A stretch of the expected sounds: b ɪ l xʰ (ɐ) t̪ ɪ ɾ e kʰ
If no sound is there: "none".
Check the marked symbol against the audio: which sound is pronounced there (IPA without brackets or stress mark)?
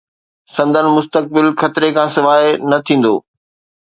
ɐ